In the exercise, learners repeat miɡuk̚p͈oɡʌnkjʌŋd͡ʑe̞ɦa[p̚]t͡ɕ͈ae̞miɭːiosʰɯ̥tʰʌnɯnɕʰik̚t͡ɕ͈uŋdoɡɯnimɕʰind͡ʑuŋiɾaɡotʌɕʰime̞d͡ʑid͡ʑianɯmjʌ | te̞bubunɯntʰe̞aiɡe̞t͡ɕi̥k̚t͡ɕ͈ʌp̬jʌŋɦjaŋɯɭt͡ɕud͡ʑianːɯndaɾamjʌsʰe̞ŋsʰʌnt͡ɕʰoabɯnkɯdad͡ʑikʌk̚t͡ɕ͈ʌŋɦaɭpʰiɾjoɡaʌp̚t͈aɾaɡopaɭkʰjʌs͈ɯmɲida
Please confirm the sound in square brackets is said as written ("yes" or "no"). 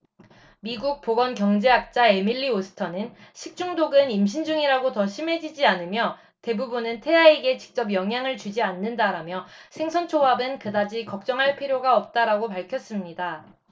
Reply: no